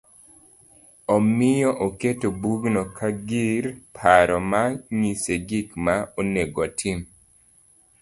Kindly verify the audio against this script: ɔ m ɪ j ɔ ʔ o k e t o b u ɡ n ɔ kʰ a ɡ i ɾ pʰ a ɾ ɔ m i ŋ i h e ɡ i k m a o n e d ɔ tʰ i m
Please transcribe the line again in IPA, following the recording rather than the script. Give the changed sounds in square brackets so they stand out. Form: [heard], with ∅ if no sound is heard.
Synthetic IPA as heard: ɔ m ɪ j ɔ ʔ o k e t o b u ɡ n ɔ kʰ a ɡ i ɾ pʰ a ɾ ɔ m [a] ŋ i [s] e ɡ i k m a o n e [ɡ] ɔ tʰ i m